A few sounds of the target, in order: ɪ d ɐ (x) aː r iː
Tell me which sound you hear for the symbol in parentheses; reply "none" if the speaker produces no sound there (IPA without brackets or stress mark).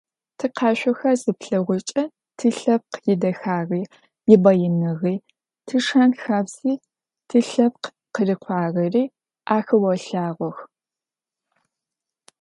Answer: x